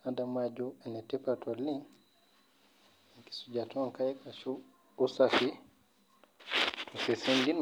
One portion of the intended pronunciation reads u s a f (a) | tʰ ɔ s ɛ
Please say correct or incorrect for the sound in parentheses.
incorrect